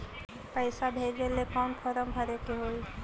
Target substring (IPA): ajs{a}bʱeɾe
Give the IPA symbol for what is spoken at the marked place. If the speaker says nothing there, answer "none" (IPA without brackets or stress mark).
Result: a